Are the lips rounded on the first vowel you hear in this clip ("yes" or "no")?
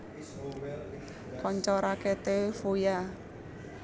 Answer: yes